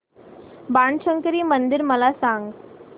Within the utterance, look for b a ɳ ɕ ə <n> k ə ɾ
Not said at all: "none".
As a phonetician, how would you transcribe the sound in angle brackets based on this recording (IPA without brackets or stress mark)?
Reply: ŋ